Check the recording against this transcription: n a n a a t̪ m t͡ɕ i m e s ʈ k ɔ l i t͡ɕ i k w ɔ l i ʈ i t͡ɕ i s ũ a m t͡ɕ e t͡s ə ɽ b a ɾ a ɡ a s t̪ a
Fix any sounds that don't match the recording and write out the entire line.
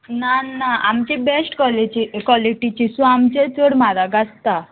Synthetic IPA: n a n a a m t͡ɕ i b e s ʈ k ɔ l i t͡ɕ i k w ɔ l i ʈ i t͡ɕ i s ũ a m t͡ɕ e t͡s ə ɽ m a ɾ a ɡ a s t̪ a